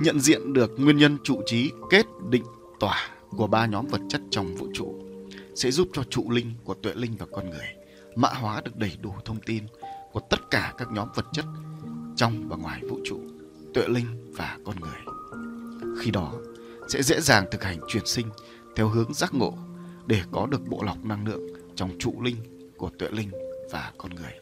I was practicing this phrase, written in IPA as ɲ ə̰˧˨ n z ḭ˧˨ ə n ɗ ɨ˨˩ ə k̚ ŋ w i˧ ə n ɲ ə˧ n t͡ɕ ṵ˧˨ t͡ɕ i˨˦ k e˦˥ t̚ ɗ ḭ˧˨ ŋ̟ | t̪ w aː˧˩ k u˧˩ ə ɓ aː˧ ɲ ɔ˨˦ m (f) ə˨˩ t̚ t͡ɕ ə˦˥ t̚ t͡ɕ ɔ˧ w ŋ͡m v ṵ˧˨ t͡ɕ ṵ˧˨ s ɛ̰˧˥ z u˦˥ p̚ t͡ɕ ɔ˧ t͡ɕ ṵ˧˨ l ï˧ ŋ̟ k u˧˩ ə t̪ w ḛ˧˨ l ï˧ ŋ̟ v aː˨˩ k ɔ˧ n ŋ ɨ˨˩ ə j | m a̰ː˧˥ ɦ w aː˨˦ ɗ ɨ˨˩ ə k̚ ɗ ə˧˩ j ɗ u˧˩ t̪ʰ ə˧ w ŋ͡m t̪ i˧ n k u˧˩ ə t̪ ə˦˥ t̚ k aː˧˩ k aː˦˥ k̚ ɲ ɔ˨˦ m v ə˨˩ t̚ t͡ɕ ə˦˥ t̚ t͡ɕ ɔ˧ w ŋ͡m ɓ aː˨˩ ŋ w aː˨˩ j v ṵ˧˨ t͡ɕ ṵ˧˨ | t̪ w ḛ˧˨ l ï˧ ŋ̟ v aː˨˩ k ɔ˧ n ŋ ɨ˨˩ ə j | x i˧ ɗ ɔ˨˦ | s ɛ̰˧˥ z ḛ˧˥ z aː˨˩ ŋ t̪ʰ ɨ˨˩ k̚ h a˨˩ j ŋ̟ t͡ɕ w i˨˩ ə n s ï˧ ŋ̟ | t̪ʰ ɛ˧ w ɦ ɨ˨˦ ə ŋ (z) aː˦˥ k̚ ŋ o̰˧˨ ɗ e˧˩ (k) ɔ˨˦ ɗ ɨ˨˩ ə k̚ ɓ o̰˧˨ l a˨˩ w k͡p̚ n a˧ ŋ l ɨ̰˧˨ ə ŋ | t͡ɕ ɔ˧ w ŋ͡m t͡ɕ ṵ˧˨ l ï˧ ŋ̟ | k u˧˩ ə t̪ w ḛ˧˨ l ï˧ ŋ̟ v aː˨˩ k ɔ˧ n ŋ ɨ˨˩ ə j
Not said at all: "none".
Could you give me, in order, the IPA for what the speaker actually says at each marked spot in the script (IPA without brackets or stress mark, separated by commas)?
v, z, k